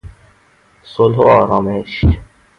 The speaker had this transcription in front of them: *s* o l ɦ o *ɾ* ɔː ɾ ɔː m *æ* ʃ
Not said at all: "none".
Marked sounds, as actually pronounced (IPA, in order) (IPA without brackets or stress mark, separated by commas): s, none, e